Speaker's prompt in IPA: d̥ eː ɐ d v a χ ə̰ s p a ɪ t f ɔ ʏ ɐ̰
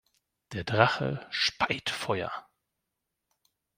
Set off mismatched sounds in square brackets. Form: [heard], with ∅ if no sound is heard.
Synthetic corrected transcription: d̥ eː ɐ d [ʁ] a χ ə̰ [ʃ] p a ɪ t f ɔ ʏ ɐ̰